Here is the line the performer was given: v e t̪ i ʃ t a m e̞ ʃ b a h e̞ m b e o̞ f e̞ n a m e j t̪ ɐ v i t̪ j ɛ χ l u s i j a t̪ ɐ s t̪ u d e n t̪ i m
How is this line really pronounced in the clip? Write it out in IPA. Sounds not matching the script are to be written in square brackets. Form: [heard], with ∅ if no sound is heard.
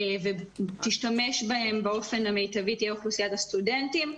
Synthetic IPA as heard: v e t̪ i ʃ t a m e̞ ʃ b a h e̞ m b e o̞ f e̞ n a m e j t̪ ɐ v i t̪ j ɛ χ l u s i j a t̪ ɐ s t̪ u d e n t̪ i m